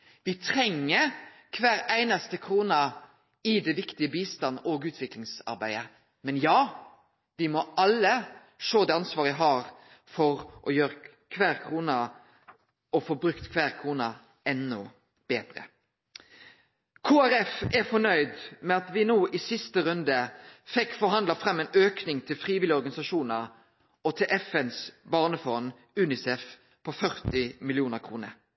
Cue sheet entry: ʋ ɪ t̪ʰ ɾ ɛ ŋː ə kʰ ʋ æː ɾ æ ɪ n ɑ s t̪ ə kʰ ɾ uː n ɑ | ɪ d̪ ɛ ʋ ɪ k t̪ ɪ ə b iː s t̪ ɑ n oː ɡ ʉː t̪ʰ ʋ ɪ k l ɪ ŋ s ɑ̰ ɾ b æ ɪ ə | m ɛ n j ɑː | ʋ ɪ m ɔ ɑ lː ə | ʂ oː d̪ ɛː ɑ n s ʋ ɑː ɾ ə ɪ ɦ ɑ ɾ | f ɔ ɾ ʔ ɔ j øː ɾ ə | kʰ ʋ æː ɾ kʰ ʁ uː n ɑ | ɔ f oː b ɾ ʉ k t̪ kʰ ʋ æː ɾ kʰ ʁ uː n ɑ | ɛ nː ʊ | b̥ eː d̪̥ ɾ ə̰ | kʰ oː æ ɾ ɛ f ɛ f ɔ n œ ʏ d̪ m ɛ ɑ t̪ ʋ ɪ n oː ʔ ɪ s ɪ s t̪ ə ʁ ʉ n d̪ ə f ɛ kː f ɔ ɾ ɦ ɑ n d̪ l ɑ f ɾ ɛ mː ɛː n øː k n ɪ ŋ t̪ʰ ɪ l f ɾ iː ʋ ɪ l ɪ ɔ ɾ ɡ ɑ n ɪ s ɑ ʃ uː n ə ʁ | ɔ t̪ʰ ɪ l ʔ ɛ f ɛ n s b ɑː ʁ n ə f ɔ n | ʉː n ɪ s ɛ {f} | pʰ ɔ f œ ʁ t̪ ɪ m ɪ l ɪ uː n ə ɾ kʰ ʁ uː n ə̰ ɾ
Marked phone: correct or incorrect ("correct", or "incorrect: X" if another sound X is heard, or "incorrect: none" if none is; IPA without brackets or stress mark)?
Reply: correct